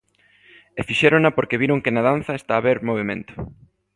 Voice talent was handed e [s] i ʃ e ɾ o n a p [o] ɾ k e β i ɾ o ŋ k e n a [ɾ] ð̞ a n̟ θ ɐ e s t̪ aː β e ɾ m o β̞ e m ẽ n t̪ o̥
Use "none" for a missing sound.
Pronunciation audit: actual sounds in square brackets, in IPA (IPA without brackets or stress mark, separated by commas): f, o, none